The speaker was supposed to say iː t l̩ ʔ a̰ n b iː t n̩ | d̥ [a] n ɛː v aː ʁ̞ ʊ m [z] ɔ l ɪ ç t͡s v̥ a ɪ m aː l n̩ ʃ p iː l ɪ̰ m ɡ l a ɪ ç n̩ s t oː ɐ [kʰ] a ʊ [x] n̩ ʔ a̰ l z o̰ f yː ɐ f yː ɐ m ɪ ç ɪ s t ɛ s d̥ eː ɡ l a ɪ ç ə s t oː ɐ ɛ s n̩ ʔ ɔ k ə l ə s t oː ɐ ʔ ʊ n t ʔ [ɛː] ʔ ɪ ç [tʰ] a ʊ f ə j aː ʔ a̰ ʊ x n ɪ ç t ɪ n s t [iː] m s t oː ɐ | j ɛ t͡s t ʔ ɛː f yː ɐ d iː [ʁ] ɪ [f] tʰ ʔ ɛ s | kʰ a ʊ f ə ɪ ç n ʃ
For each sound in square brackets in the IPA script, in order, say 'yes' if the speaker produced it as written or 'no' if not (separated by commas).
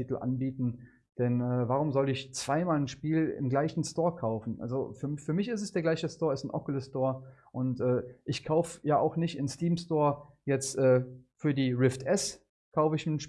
no, yes, yes, no, yes, no, yes, yes, yes